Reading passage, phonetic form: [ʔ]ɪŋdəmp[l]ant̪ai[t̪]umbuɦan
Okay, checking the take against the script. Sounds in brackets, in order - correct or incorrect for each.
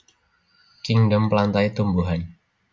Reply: incorrect, correct, correct

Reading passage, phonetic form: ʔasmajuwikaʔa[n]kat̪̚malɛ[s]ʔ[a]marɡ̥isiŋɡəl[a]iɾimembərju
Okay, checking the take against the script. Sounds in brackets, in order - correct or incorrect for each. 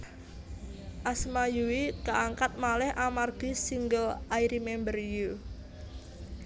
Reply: incorrect, incorrect, correct, correct

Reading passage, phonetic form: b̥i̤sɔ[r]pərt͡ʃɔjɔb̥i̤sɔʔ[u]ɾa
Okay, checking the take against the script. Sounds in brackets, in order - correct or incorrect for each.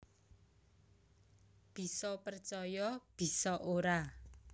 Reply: incorrect, incorrect

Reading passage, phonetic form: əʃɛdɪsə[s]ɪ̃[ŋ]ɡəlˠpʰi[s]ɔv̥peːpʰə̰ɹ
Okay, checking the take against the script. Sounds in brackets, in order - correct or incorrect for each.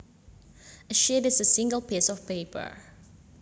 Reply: correct, correct, correct

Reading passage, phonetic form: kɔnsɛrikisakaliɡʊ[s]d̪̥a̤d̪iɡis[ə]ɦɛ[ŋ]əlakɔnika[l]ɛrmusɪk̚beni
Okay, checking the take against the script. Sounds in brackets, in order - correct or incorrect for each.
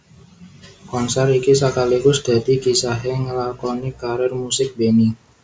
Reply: correct, incorrect, correct, incorrect

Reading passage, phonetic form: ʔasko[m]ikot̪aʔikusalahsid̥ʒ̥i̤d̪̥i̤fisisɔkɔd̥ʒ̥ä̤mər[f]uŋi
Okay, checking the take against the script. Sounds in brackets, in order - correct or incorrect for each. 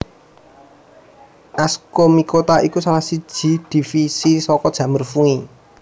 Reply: correct, correct

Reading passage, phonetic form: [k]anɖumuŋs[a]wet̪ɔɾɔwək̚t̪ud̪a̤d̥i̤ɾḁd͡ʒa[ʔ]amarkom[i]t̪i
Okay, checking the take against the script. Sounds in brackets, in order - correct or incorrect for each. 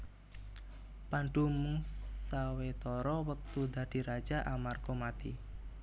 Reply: incorrect, correct, correct, incorrect

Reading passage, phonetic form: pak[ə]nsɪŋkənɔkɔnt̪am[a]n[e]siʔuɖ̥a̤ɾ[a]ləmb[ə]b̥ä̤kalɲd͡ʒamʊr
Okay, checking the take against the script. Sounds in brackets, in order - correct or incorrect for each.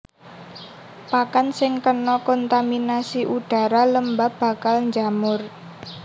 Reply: incorrect, incorrect, incorrect, correct, incorrect

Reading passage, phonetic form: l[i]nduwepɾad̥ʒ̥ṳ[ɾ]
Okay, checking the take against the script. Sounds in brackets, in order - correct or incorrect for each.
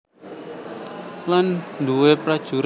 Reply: incorrect, correct

